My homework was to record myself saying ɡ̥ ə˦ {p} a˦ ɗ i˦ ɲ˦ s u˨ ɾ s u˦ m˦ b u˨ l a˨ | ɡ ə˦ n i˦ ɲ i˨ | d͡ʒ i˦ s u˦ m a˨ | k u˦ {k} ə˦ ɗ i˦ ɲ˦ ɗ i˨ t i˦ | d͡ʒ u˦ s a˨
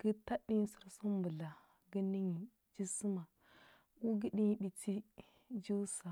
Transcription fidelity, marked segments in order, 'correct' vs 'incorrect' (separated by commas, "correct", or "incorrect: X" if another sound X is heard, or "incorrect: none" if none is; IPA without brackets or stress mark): incorrect: t, incorrect: ɡ